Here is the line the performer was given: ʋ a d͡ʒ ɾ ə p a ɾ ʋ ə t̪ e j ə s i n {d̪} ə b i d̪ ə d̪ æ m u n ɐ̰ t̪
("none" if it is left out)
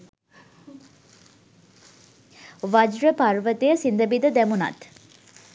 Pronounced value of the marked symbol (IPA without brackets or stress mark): d̪